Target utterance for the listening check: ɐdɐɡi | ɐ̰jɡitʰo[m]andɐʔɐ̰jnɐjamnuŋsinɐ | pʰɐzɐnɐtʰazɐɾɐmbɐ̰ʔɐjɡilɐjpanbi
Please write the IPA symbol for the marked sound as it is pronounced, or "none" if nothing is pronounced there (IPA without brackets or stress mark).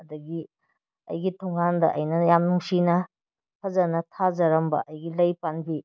ŋ